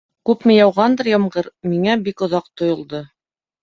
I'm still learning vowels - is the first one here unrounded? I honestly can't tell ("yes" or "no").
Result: no